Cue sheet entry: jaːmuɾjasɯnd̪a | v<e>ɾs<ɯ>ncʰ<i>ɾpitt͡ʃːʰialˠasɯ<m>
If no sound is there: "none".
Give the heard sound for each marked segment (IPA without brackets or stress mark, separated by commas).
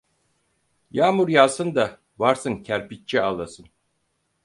a, ɯ, æ, n